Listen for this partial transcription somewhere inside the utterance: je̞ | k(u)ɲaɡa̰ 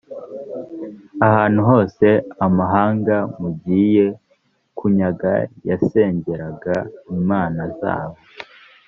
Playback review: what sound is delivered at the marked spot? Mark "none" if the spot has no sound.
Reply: u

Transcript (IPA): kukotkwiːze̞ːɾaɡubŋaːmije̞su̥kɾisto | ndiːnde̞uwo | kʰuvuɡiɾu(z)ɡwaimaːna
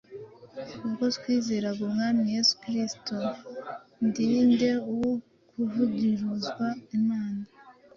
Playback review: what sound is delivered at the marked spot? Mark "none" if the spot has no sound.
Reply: z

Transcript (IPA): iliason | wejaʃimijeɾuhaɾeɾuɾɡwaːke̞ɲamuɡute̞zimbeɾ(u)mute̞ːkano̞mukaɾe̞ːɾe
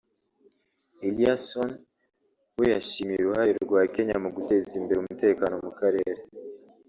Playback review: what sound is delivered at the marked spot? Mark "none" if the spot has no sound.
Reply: u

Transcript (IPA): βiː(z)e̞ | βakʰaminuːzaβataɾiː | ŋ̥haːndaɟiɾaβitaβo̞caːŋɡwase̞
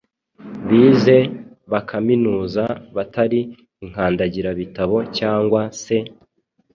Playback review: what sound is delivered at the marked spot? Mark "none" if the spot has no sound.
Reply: z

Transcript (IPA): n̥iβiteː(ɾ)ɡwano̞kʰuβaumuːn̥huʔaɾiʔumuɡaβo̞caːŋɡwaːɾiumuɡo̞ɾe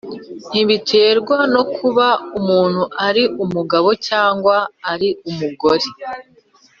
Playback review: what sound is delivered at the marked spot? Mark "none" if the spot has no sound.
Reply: ɾ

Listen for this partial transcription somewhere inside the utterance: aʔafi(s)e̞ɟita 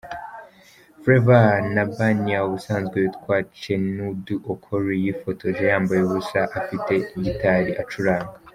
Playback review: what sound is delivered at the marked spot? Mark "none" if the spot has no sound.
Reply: t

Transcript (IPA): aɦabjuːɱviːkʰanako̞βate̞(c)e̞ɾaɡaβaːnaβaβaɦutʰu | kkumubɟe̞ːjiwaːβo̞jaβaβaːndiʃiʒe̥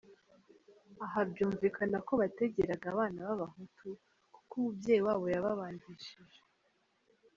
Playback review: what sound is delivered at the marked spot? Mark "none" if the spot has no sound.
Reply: ɟ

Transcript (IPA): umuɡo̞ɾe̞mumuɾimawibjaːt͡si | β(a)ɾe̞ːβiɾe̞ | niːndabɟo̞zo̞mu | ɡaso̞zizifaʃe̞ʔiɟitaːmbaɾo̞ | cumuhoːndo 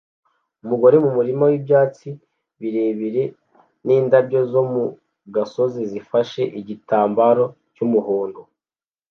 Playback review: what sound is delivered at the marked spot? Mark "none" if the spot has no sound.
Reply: i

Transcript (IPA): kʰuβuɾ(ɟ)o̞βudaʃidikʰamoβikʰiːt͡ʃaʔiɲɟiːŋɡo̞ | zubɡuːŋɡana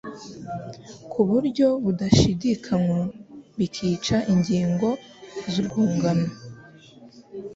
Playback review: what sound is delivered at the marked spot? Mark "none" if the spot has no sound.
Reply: ɟ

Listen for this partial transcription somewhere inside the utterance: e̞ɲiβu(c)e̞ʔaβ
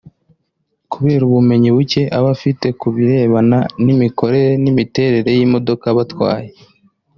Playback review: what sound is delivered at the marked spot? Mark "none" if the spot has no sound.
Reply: c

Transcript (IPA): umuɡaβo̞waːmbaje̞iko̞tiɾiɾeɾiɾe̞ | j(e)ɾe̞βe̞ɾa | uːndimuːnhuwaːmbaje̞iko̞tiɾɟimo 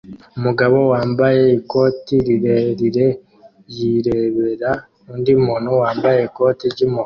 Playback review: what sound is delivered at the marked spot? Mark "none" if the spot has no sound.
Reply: i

